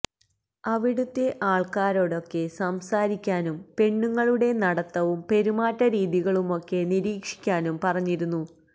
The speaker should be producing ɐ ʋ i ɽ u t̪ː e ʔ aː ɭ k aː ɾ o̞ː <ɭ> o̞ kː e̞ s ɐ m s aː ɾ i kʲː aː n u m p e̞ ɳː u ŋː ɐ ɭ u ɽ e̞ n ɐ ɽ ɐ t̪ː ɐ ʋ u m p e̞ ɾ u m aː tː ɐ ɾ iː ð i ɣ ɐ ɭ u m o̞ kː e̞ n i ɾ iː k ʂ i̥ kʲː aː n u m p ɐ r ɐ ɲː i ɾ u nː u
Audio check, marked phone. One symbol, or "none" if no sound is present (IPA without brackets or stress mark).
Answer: ɽ